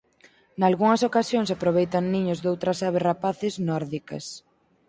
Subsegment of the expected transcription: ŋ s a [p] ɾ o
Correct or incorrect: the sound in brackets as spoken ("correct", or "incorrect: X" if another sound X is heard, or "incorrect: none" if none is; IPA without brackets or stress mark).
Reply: correct